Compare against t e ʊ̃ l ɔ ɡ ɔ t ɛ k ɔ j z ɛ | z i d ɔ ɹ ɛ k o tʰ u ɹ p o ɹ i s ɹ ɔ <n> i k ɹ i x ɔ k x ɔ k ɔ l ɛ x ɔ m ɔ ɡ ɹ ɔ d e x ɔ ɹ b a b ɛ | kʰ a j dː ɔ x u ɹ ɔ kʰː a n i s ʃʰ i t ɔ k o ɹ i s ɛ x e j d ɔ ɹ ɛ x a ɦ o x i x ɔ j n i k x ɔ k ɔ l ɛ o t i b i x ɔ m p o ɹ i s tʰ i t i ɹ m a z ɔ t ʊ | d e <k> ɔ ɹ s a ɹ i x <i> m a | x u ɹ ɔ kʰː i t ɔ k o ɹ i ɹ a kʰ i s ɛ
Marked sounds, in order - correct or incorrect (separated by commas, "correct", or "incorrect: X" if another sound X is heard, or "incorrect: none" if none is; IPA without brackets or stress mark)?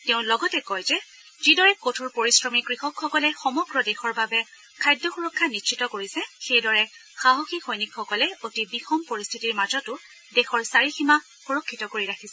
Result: incorrect: m, incorrect: x, correct